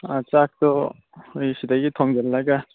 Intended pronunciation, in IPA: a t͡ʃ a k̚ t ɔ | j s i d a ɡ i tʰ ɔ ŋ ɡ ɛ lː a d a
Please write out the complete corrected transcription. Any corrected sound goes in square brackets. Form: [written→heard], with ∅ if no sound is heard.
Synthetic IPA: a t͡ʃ a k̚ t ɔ | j s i d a ɡ i tʰ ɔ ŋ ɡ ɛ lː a [d→ɡ] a